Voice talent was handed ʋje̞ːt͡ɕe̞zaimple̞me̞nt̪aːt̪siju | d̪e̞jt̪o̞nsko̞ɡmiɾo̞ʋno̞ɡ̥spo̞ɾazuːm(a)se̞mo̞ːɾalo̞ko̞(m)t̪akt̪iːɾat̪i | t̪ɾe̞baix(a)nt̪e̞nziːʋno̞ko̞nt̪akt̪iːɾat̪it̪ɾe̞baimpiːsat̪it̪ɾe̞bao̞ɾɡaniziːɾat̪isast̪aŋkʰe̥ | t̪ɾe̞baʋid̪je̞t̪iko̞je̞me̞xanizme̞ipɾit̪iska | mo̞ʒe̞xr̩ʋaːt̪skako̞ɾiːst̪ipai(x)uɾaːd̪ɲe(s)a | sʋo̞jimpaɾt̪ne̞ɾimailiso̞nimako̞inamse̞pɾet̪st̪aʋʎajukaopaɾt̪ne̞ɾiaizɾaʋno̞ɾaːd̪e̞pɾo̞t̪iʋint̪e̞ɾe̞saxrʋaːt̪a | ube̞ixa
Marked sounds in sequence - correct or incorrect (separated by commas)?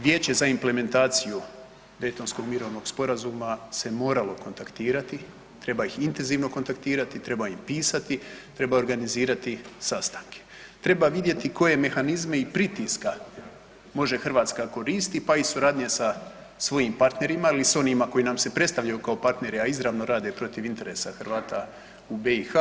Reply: correct, incorrect, incorrect, incorrect, correct